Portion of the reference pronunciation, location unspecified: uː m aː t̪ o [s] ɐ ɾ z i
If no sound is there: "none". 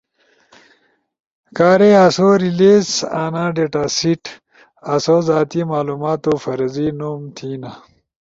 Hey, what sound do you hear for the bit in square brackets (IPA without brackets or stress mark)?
f